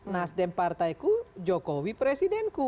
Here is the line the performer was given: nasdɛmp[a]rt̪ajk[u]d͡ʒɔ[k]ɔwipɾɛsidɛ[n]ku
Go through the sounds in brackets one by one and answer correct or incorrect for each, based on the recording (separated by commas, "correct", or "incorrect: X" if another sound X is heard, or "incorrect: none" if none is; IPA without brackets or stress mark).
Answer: correct, correct, correct, correct